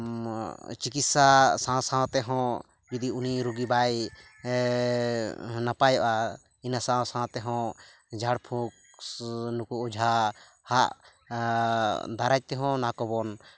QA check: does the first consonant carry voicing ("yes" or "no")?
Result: no